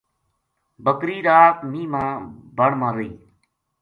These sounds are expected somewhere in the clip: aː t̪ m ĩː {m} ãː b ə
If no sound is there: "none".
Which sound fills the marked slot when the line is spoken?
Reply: m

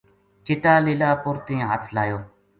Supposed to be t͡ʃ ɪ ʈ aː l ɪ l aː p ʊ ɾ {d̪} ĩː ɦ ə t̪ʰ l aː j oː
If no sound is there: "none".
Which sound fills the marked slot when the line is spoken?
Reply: t̪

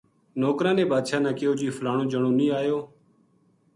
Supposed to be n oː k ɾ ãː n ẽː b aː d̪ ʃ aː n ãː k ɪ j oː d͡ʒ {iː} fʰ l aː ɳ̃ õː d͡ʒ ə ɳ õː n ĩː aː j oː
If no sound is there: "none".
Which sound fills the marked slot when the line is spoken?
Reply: iː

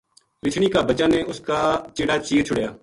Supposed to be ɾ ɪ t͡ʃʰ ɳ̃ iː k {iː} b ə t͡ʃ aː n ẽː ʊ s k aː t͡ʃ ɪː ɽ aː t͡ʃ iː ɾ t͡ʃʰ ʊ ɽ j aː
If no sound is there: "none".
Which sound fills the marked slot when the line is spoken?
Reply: aː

